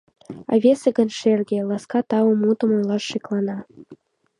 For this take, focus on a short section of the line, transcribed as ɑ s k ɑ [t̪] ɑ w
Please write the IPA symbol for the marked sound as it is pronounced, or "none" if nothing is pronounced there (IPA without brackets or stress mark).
t̪